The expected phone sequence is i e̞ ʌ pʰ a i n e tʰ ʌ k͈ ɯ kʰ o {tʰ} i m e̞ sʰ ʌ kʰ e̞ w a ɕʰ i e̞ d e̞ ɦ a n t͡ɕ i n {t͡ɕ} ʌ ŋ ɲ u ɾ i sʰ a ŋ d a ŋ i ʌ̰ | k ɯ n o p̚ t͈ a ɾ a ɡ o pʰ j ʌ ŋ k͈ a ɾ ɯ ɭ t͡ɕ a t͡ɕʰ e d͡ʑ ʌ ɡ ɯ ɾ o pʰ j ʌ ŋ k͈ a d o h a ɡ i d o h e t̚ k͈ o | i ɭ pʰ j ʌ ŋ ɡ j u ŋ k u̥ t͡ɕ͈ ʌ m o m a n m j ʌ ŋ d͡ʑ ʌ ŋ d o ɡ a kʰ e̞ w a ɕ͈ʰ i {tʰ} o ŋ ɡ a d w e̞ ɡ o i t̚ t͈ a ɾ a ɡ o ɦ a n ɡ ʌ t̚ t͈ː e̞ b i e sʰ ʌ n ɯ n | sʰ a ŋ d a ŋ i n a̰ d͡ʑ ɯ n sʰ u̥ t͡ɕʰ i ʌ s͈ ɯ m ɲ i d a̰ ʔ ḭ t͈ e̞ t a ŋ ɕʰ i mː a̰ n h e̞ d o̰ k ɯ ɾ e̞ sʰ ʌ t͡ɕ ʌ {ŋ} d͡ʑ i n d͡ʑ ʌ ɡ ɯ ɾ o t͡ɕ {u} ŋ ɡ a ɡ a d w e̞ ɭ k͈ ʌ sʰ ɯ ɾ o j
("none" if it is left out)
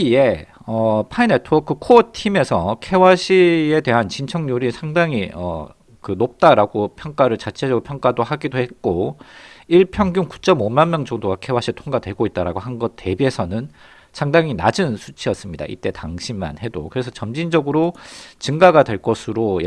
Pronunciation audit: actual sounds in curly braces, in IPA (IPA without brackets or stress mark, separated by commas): tʰ, t͡ɕʰ, tʰ, m, ɯ